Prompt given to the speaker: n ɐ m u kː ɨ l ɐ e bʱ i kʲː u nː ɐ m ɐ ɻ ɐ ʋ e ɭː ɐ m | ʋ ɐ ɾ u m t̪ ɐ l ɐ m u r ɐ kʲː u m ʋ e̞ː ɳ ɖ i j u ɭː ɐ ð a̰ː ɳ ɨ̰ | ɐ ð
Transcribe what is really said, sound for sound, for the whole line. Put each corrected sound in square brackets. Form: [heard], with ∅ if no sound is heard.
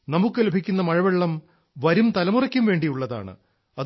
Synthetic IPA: n ɐ m u kː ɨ l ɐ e bʱ i kʲː u nː ɐ m ɐ ɻ ɐ ʋ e ɭː ɐ m | ʋ ɐ ɾ u m t̪ ɐ l ɐ m u r ɐ kʲː u m ʋ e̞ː ɳ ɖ i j u ɭː ɐ ð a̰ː ɳ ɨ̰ | ɐ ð